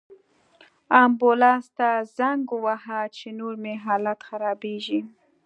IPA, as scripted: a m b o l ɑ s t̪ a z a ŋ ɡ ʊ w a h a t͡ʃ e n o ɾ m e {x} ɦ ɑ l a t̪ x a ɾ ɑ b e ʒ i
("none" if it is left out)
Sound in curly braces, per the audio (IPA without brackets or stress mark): none